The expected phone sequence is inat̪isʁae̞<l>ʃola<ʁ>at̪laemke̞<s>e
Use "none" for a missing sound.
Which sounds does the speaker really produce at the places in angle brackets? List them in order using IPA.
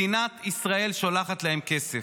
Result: l, χ, s

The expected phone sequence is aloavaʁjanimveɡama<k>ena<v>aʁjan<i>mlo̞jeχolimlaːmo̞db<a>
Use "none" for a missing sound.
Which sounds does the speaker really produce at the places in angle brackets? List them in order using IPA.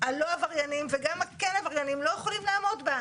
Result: k, v, i, a

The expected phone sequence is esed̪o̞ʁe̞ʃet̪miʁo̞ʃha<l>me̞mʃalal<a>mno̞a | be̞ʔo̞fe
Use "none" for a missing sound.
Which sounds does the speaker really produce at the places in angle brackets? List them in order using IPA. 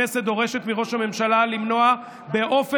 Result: none, i

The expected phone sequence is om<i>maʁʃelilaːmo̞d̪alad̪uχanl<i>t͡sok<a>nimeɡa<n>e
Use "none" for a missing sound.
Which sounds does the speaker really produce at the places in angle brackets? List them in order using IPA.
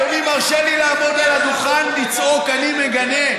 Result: i, i, a, n

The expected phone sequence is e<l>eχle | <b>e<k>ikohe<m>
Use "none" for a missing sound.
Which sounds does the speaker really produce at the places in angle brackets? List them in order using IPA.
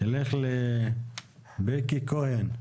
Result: l, b, k, n

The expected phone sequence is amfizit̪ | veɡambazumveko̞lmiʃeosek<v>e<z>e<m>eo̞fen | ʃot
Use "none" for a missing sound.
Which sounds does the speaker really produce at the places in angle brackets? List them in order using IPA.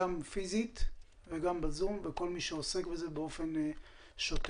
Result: b, z, b

